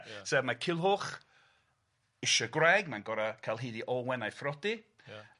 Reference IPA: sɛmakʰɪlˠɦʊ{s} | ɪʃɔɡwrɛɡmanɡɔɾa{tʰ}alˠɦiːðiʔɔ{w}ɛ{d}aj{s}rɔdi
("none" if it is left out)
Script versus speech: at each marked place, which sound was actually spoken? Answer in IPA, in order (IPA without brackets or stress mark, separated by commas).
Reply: χ, kʰ, w, n, f